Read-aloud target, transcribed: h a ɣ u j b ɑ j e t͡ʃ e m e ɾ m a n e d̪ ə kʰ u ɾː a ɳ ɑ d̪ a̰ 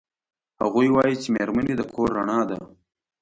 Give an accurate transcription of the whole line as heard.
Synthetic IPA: h a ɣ u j w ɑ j i t͡ʃ e m e ɾ m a n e d̪ ə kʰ o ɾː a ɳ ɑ d̪ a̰